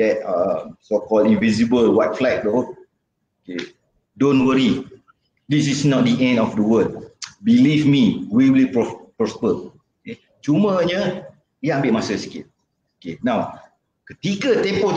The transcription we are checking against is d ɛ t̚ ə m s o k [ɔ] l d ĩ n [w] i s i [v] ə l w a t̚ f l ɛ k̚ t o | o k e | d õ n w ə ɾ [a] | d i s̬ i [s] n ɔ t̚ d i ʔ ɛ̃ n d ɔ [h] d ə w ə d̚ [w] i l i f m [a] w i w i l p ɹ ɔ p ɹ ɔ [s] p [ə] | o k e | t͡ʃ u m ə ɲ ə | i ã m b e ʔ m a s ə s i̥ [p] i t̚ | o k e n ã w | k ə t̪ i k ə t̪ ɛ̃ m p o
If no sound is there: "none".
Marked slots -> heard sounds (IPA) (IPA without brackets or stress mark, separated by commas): ɔ, v, b, i, s, f, b, i, s, ə, k